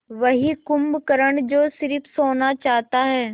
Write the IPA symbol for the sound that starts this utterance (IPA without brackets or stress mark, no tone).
ʋ